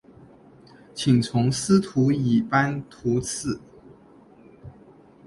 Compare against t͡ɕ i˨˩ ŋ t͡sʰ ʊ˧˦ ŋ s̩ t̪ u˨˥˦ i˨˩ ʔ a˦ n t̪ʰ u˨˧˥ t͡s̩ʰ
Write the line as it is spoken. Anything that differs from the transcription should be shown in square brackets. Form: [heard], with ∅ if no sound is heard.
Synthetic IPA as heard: [t͡ɕʰ] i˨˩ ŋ t͡sʰ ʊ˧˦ ŋ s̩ [t̪ʰ] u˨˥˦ i˨˩ [p] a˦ n t̪ʰ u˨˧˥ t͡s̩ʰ